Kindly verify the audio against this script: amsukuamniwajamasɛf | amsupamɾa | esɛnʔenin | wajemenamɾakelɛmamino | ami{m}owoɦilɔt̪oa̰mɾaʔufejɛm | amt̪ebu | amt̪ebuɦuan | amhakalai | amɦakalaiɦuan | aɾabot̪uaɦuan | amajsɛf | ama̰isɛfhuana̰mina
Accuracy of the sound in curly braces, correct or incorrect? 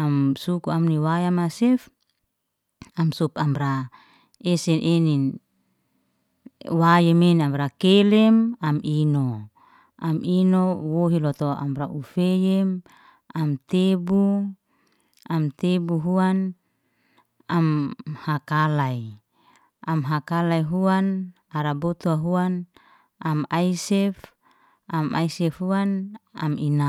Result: incorrect